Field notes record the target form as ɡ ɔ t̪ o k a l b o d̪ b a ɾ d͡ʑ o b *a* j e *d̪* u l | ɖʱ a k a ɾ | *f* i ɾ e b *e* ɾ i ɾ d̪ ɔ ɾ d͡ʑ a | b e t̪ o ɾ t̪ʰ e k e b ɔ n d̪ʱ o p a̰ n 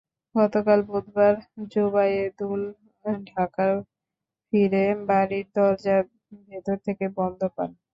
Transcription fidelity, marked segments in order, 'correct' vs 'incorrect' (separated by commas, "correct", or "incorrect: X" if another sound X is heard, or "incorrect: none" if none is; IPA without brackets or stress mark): correct, correct, correct, incorrect: a